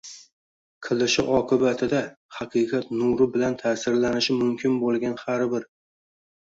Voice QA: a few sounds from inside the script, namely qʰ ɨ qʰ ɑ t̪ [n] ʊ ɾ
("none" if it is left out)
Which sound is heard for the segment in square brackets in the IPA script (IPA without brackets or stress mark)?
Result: n